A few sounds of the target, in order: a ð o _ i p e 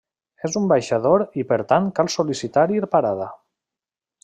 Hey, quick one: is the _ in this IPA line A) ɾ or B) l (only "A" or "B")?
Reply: A